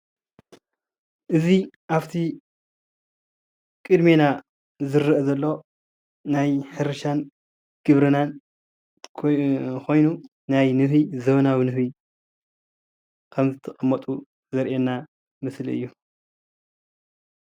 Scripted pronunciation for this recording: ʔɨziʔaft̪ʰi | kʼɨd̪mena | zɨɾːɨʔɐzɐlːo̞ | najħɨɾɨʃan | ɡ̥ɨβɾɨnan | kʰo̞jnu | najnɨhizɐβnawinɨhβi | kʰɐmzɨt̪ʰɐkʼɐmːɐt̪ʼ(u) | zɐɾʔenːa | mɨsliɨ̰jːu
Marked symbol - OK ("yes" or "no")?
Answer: yes